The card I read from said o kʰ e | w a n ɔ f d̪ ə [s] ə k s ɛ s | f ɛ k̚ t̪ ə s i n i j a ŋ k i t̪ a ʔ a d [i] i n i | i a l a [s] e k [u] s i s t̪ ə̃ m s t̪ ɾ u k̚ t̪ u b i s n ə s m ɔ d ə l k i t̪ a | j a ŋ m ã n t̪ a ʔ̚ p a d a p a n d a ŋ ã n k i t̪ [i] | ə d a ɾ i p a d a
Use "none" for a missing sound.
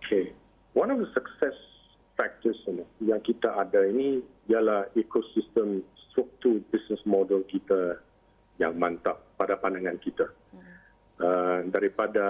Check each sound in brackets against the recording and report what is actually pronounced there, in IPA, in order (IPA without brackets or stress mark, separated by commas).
s, a, h, o, a